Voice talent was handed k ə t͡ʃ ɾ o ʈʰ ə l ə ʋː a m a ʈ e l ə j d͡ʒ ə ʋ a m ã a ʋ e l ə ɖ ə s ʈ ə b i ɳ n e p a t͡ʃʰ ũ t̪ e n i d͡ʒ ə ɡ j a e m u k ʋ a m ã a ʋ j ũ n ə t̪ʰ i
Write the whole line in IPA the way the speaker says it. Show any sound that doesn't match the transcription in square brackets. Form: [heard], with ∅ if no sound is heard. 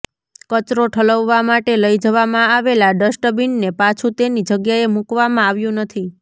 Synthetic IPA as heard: k ə t͡ʃ ɾ o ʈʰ ə l ə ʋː a m a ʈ e l ə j d͡ʒ ə ʋ a m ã a ʋ e l [a] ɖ ə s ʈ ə b i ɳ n e p a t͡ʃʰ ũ t̪ e n i d͡ʒ ə ɡ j a e m u k ʋ a m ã a ʋ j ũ n ə t̪ʰ i